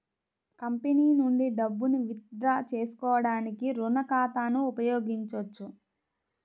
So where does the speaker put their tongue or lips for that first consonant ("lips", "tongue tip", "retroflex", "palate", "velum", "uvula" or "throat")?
velum